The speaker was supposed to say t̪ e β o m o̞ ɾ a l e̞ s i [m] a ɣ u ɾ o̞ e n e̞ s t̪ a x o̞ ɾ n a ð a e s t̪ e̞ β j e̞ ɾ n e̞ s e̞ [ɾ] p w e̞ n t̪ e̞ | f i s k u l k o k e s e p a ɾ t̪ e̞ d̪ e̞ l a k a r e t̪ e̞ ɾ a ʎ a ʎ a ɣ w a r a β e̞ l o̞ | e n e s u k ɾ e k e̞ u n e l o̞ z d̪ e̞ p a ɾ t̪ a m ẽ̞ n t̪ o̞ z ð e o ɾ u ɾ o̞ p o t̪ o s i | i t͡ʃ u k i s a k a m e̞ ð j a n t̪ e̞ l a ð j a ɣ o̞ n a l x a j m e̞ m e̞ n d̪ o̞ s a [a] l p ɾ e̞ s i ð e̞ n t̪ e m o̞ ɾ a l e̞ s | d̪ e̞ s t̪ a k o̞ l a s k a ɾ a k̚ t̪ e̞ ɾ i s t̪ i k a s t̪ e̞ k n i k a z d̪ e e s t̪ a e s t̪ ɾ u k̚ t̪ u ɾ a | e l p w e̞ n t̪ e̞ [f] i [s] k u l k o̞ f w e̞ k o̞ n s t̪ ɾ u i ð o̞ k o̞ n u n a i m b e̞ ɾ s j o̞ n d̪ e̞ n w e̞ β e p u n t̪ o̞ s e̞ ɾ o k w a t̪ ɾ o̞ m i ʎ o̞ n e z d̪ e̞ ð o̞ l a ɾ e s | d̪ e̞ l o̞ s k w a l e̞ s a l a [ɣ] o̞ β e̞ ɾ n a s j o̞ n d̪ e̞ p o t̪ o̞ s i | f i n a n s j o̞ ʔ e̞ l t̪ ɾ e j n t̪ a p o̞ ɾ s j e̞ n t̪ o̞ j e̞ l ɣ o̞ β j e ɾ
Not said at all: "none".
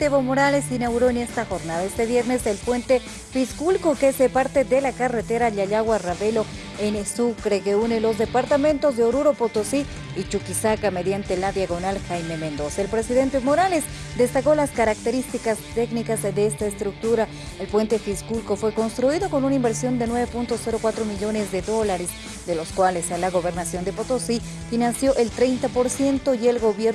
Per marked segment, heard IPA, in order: n, l, e, f, s, ɣ

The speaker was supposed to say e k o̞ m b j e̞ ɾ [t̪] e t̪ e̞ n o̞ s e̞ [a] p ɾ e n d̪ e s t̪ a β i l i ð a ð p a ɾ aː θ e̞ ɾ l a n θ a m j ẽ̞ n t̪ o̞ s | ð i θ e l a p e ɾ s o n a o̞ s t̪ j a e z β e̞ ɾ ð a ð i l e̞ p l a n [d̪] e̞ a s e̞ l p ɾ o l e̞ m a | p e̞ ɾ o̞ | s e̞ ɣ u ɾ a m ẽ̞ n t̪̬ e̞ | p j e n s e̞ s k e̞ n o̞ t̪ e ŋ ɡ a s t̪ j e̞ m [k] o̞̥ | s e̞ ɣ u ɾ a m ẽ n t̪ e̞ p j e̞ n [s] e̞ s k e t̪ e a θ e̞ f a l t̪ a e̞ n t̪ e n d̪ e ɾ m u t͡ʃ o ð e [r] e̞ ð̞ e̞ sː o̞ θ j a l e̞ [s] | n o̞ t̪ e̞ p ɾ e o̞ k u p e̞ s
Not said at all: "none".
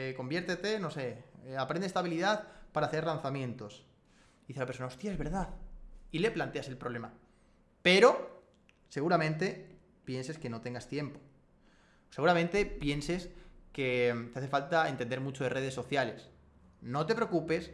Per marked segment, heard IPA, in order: t̪, a, t̪, p, s, r, s

